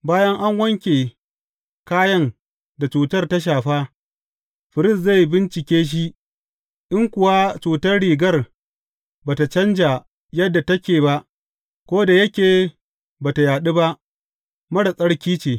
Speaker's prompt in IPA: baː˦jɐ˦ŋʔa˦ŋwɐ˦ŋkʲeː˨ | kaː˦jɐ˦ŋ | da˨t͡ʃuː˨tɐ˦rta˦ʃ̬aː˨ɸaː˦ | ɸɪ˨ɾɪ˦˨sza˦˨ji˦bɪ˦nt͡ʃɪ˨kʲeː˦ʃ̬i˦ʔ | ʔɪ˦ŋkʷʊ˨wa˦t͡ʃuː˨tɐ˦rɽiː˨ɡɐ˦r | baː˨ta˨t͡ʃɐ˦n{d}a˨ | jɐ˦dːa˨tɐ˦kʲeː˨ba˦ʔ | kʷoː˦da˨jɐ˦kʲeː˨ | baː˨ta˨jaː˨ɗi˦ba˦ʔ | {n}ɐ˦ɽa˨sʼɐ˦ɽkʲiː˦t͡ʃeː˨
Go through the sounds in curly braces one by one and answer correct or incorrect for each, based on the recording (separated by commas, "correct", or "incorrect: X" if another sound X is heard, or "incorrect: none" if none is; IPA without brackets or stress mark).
incorrect: d͡ʒ, incorrect: m